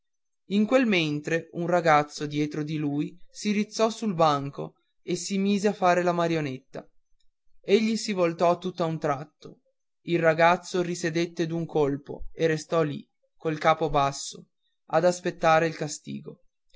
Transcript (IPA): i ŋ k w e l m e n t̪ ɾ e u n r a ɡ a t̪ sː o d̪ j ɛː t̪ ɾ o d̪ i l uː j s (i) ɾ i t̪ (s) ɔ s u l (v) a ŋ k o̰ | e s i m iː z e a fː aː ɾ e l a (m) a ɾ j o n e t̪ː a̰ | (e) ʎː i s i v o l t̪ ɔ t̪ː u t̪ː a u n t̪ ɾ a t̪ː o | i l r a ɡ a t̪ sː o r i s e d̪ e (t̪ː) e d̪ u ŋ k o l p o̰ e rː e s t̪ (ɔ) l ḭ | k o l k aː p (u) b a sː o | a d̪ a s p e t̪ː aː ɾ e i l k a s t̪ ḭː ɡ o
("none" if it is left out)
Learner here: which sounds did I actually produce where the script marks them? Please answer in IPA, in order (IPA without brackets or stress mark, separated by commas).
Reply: i, sː, b, m, e, t̪ː, ɔ, o